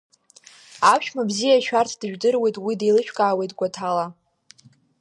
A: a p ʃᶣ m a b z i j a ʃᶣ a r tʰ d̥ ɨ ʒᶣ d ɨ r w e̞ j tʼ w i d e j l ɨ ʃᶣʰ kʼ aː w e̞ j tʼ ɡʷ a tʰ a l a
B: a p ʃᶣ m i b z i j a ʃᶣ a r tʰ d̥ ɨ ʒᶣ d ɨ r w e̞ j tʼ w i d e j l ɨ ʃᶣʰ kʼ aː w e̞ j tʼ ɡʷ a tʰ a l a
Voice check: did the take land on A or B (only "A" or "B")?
A